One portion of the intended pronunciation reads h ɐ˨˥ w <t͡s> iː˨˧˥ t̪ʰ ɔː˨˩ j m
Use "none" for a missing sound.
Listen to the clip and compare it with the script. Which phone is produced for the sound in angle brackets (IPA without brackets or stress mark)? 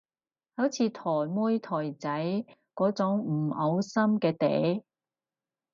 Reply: t͡sʰ